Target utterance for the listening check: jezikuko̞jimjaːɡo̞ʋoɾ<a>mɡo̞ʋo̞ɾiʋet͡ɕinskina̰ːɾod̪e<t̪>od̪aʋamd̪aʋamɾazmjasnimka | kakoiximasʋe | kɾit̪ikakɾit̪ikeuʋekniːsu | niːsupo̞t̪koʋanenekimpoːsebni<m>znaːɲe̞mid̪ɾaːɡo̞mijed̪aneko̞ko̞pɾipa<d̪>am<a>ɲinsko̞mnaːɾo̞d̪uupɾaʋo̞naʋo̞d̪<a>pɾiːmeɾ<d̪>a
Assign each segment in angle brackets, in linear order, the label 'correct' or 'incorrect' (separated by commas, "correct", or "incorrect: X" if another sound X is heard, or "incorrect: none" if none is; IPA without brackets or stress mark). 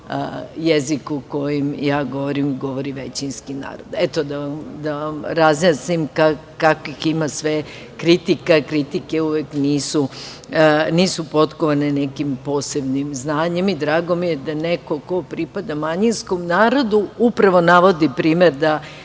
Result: incorrect: i, correct, correct, correct, correct, incorrect: i, correct